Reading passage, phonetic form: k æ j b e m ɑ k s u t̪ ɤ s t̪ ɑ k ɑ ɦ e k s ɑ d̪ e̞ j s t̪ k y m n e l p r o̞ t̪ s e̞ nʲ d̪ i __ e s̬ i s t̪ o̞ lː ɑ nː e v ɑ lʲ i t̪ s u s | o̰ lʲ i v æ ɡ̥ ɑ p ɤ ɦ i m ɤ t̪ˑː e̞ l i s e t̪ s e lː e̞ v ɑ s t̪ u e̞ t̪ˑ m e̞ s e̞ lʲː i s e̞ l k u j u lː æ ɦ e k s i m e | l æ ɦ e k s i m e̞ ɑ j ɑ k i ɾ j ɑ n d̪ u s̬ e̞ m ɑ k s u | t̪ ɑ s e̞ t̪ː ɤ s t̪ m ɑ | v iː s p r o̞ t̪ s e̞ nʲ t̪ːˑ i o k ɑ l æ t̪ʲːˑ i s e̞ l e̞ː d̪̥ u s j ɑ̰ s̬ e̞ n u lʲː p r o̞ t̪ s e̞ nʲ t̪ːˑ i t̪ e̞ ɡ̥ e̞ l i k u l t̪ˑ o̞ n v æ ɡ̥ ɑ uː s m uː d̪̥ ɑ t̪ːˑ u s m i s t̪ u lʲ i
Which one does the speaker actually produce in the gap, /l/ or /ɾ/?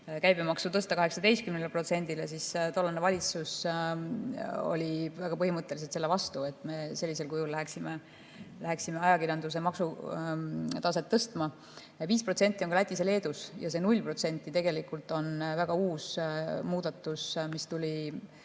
l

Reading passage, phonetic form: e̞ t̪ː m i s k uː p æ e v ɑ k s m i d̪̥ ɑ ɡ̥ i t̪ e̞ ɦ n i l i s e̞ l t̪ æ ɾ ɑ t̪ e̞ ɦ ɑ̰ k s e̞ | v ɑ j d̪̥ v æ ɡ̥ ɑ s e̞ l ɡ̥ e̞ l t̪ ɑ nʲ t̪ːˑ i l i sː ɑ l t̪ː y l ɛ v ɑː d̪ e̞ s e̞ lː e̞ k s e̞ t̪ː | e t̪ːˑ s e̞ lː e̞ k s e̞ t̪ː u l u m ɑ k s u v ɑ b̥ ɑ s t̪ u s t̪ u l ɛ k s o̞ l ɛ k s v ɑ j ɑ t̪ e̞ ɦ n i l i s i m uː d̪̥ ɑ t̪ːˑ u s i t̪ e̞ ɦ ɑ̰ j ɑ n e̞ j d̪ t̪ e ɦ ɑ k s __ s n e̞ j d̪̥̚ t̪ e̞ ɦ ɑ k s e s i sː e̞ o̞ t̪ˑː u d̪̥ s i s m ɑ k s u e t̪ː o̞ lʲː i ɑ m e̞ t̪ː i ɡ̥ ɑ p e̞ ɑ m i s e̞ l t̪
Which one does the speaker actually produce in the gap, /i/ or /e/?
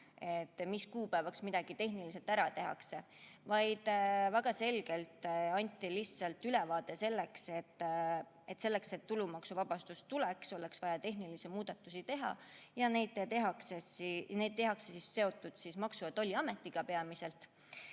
e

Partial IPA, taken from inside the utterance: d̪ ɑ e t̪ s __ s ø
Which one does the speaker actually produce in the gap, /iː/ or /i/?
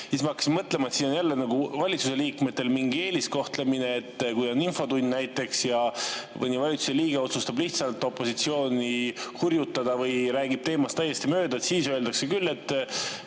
iː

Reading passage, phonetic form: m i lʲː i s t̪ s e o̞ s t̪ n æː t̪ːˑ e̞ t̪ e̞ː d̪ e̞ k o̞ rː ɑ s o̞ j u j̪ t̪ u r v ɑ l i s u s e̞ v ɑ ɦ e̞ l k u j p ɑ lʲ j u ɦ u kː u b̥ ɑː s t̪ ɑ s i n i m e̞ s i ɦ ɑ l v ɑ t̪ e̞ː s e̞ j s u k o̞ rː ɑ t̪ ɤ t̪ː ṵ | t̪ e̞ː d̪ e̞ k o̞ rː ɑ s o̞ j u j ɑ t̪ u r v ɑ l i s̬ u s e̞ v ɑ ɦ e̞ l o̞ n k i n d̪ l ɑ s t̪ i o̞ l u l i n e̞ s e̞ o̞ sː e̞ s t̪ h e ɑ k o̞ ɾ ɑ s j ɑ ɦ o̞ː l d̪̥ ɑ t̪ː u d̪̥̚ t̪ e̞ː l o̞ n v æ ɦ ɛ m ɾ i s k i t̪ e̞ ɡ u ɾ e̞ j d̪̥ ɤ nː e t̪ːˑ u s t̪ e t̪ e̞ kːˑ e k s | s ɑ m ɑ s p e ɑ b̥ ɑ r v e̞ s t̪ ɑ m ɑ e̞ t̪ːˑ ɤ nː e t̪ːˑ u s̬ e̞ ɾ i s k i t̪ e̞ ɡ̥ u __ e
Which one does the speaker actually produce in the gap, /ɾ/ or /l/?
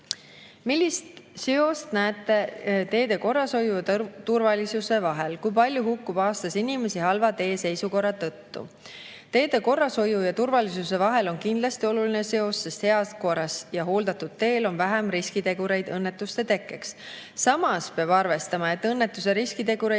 ɾ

